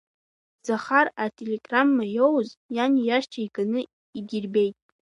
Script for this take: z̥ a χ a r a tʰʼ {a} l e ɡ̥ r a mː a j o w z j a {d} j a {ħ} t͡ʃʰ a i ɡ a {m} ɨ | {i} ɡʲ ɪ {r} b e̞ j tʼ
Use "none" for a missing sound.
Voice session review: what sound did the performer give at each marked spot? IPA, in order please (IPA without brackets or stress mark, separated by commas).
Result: e, n, ʃ, n, i, r